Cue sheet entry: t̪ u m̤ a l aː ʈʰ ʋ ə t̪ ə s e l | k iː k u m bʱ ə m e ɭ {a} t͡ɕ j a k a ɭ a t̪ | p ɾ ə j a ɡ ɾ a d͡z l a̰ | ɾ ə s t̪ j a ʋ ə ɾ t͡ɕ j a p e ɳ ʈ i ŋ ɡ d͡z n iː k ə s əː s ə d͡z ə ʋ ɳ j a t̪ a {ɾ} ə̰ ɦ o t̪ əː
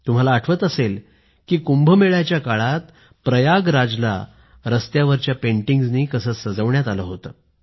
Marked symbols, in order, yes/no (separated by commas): yes, no